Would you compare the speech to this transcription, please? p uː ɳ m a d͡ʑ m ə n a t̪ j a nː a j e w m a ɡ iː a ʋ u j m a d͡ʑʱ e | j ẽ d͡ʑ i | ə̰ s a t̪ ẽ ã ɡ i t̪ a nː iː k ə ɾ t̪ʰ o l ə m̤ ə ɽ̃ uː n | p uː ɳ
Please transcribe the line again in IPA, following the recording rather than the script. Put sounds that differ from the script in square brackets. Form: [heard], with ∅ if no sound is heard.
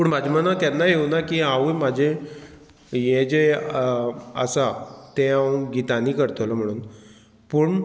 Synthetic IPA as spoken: p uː ɳ m a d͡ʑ m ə n a t̪ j a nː a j e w [n] a [k] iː a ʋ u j m a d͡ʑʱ e | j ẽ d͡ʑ [e] | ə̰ s a t̪ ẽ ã ɡ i t̪ a [n] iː k ə ɾ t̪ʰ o l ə m̤ ə ɽ̃ uː n | p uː ɳ